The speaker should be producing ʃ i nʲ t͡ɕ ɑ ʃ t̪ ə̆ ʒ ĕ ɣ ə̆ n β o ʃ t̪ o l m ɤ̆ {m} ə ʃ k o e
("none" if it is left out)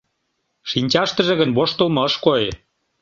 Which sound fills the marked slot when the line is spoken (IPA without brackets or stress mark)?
none